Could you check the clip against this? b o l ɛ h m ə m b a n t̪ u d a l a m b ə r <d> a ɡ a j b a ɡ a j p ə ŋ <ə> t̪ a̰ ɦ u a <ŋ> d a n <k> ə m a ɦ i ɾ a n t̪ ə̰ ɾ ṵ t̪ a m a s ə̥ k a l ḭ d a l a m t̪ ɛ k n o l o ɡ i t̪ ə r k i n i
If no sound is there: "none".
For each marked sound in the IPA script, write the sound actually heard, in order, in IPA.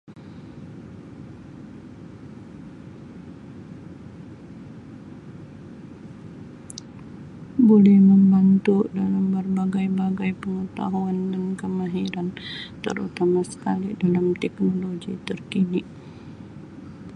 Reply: b, ə, n, k

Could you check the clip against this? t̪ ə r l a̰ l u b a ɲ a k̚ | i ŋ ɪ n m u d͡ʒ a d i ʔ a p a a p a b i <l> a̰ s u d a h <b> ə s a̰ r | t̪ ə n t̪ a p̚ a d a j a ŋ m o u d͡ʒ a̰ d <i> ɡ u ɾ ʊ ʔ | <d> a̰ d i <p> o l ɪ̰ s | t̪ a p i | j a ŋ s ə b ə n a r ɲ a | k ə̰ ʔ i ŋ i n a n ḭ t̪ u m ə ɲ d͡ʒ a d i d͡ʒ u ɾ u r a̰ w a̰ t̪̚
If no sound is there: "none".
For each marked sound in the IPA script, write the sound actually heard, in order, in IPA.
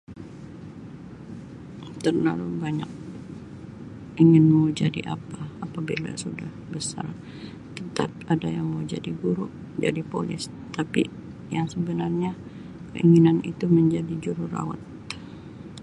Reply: l, b, i, d͡ʒ, p

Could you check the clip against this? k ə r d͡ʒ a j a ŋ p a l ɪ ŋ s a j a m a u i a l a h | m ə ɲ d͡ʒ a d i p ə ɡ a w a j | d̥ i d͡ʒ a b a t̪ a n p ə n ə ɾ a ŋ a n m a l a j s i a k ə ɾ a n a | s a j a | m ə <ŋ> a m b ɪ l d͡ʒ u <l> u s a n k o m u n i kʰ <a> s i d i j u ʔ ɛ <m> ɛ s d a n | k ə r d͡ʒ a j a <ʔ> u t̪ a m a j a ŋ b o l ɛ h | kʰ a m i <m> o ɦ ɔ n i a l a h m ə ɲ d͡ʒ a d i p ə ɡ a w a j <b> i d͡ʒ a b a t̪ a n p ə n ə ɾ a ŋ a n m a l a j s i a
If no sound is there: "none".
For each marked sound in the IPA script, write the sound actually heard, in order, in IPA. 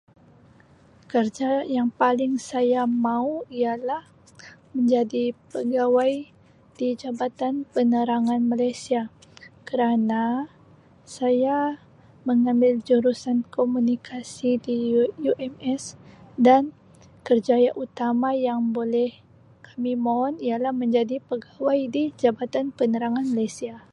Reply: ŋ, ɾ, a, m, ʔ, m, d

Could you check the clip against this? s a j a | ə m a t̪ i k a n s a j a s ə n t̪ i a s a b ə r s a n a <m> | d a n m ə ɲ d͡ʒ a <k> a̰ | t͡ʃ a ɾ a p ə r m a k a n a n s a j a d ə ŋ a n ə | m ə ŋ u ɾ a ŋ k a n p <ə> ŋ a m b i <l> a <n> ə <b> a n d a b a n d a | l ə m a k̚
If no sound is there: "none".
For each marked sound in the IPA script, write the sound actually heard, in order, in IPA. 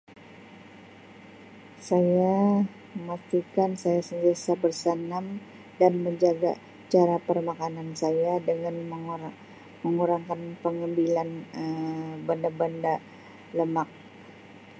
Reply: m, ɡ, ə, l, n, b

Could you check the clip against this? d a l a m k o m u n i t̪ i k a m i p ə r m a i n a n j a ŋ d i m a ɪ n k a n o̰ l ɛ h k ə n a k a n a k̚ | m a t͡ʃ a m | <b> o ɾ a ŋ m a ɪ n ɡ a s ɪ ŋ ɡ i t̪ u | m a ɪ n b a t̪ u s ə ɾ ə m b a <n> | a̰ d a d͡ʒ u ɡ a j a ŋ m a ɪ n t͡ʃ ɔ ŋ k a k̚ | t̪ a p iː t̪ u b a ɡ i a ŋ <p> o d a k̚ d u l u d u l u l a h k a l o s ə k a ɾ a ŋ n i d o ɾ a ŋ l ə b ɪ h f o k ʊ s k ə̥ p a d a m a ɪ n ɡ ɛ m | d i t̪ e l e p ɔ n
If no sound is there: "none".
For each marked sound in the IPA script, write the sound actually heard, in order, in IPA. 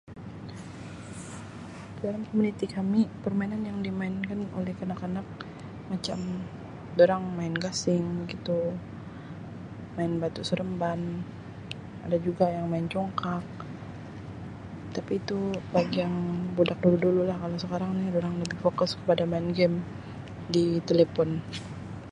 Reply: d, n, b

